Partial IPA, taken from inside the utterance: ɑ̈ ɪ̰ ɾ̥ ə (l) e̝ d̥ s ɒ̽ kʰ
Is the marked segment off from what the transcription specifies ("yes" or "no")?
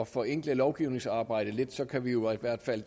no